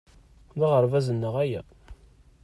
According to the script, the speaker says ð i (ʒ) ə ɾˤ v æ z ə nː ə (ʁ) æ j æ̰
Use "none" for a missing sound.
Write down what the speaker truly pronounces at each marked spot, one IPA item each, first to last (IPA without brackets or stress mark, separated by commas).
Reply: ʁ, ʁ